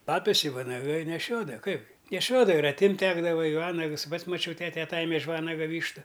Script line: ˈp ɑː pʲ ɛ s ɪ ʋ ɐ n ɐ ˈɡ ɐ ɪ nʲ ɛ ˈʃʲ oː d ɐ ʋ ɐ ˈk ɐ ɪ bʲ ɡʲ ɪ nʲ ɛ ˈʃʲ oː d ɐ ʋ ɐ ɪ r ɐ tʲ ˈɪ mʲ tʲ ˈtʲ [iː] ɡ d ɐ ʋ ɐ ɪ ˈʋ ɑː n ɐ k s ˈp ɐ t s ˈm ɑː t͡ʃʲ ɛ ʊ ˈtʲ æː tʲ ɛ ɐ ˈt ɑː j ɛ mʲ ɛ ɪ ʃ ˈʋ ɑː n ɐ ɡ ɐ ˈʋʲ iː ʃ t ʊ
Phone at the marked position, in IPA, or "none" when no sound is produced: æː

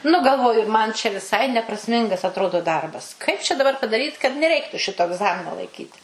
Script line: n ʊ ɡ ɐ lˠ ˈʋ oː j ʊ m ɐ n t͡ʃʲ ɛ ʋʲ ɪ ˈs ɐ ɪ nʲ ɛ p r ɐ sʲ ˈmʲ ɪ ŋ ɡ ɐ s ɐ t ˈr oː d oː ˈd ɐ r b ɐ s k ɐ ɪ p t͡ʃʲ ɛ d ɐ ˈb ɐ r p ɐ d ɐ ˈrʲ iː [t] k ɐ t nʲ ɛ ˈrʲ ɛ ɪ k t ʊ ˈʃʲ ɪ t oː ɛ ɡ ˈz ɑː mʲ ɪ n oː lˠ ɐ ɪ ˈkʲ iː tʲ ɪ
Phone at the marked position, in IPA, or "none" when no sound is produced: t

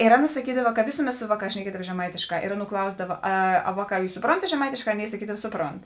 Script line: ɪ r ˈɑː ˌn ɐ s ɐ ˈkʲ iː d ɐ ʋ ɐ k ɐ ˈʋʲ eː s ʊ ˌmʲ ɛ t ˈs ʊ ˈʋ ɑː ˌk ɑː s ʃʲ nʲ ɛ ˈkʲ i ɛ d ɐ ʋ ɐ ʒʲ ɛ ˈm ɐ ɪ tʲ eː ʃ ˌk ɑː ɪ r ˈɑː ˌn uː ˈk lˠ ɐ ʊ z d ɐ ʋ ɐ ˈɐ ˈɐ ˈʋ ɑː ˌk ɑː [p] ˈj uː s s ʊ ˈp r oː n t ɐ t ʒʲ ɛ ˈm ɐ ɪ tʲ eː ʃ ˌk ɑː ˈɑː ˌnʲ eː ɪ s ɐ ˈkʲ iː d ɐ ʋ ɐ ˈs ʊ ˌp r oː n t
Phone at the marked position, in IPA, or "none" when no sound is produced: none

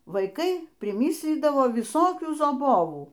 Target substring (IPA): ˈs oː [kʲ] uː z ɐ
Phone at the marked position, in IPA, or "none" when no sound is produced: kʲ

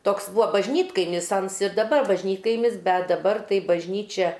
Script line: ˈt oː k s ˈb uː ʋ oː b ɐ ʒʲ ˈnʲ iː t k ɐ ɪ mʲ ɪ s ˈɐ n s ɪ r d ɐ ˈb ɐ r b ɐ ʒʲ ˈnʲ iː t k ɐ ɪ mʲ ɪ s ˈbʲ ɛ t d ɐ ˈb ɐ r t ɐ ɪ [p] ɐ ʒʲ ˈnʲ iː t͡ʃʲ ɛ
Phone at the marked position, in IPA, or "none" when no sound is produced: b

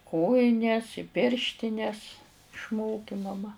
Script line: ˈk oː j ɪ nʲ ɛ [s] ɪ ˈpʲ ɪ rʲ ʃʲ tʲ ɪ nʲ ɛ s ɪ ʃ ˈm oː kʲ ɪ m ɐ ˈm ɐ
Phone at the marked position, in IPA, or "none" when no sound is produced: s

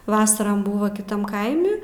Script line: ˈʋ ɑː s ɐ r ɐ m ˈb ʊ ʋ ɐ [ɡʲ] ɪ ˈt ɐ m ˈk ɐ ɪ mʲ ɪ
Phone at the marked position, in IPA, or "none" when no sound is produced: kʲ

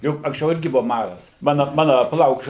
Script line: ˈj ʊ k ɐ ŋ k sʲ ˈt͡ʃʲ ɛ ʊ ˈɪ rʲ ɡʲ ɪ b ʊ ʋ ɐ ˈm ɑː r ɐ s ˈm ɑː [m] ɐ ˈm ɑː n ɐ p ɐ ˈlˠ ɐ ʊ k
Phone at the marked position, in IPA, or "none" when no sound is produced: n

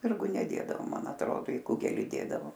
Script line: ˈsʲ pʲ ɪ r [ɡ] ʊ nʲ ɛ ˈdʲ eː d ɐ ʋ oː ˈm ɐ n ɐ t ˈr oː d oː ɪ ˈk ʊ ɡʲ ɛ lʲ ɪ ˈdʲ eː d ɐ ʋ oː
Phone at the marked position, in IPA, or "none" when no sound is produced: ɡ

